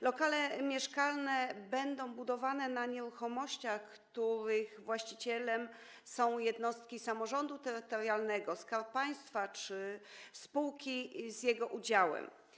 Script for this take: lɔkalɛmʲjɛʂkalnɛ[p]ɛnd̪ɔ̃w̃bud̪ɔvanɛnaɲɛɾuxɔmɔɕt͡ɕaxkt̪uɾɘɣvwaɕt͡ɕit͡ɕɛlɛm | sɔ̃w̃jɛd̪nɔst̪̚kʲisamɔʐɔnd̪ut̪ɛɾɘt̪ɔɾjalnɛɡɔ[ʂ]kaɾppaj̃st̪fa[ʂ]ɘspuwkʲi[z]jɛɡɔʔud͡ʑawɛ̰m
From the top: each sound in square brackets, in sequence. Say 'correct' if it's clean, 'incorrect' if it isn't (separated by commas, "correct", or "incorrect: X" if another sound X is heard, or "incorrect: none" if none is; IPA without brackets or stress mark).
incorrect: b, incorrect: s, incorrect: t͡ʂ, correct